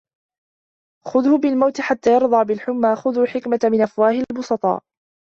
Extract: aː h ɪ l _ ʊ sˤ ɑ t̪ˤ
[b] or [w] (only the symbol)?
b